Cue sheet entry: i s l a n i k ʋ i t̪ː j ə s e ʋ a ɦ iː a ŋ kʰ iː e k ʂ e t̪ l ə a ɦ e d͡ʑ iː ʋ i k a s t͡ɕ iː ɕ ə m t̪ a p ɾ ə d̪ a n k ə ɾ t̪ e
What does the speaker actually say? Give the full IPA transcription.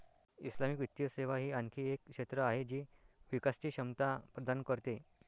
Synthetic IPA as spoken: i s l a m i k ʋ i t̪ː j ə s e ʋ a ɦ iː a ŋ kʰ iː e k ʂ e t̪ ɾ ə a ɦ e d͡ʑ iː ʋ i k a s t͡ɕ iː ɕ ə m t̪ a p ɾ ə d̪ a n k ə ɾ t̪ e